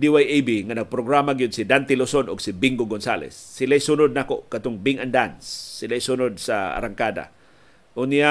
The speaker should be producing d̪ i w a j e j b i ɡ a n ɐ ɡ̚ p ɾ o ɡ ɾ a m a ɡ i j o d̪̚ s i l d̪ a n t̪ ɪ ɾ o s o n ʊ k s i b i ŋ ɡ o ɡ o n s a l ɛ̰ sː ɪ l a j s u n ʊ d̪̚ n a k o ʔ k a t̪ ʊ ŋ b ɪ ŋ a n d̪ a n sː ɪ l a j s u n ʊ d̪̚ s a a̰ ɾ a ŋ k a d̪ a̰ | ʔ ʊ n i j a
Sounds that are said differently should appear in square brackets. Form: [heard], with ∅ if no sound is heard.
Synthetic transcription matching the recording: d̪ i w a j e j b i [ŋ] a n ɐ ɡ̚ p ɾ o ɡ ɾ a m a ɡ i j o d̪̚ s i [∅] d̪ a n t̪ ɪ [l] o s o n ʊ [ɡ] s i b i ŋ ɡ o ɡ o n s a l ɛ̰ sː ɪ l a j s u n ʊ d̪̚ n a k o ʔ k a t̪ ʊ ŋ b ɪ ŋ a n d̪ a n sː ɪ l a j s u n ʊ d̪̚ s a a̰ ɾ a ŋ k a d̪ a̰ | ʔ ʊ n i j a